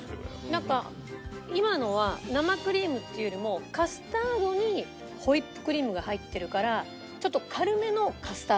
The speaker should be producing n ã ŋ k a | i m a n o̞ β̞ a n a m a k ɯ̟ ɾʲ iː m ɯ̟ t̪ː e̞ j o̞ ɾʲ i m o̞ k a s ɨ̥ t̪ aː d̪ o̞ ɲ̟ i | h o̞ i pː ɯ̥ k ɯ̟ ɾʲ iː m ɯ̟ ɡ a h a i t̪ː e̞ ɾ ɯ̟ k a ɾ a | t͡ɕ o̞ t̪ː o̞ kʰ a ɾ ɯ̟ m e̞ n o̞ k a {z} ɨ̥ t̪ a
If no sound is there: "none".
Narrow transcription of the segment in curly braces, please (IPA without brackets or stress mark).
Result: s